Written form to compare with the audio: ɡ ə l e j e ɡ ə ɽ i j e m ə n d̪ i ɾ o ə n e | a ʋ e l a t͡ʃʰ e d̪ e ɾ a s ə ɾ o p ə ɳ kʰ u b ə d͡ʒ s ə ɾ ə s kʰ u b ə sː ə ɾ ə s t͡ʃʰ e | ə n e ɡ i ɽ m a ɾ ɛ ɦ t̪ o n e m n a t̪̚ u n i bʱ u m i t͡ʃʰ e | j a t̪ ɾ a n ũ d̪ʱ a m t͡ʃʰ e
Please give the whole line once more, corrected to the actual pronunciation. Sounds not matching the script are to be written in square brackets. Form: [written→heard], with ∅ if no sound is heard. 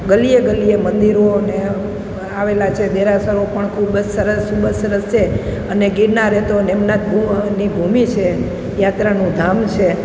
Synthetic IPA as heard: ɡ ə l [e→i] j e ɡ ə [ɽ→l] i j e m ə n d̪ i ɾ o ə n e | a ʋ e l a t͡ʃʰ e d̪ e ɾ a s ə ɾ o p ə ɳ kʰ u b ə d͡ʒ s ə ɾ ə s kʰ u b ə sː ə ɾ ə s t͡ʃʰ e | ə n e ɡ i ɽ [m→n] a ɾ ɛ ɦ t̪ o n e m n a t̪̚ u n i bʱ u m i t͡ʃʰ e | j a t̪ ɾ a n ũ d̪ʱ a m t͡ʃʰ e